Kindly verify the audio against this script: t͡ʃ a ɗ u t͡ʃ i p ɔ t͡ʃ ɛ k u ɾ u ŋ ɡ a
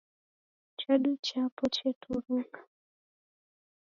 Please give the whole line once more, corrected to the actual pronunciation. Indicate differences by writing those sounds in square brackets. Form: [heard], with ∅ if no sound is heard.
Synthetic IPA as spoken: t͡ʃ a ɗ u t͡ʃ [a] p ɔ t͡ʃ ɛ [t] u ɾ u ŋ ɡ a